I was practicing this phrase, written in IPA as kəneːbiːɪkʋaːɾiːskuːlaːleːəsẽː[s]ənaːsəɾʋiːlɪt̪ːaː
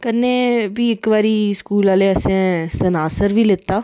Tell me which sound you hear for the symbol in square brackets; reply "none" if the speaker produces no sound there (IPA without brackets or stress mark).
s